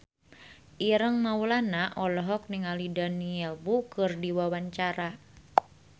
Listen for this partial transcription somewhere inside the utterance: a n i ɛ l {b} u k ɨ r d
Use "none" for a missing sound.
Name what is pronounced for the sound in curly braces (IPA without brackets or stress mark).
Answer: b